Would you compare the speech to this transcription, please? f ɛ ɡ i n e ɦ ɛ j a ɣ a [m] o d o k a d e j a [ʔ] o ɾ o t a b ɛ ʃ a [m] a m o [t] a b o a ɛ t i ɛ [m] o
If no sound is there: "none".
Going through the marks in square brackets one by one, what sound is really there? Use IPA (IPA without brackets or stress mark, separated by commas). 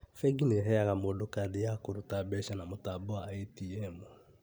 m, k, n, t, m